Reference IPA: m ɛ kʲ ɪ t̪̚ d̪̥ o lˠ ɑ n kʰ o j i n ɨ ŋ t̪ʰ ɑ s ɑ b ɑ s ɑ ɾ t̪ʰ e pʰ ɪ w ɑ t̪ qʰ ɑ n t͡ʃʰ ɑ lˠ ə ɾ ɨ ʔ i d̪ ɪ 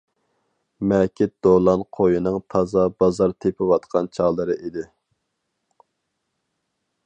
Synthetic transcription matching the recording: m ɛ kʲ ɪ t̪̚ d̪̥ o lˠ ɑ n qʰ o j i n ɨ ŋ t̪ʰ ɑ z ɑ b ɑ z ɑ ɾ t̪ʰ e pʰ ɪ w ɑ t̪ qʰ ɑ n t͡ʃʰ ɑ lˠ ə ɾ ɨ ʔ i d̪ ɪ